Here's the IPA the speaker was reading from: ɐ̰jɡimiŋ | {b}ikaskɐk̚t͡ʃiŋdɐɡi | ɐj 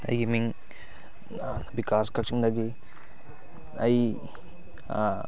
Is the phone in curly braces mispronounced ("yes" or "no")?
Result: no